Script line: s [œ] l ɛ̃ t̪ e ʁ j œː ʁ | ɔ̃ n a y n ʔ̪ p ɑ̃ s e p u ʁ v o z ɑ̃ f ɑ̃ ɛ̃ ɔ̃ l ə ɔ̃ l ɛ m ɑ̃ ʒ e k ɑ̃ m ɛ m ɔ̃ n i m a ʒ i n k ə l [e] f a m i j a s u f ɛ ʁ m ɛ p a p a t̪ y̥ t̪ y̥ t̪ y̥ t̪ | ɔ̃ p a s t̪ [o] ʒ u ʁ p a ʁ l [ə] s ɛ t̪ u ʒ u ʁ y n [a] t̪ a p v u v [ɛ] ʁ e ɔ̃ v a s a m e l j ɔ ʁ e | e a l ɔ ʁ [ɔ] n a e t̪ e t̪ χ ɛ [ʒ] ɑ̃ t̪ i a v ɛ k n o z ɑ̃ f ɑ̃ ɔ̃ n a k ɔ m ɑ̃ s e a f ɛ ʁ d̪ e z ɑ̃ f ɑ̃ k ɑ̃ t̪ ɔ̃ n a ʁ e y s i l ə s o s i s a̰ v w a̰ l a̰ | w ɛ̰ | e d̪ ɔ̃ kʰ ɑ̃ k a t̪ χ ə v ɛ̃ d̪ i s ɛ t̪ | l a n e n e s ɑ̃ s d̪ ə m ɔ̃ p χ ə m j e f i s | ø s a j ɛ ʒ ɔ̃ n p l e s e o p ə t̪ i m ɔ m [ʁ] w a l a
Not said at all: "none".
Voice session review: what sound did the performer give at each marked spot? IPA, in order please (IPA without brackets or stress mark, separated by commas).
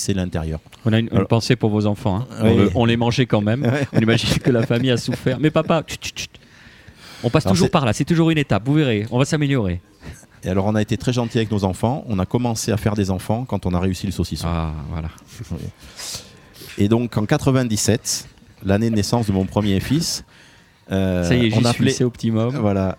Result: ɛ, a, u, a, e, e, ɔ̃, ʒ, v